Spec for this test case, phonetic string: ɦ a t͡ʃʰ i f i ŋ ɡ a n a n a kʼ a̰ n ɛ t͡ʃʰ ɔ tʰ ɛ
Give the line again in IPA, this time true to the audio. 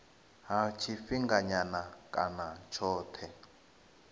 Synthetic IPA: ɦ a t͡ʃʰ i f i ŋ ɡ a ɲ a n a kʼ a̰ n a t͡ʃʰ ɔː tʰ ɛ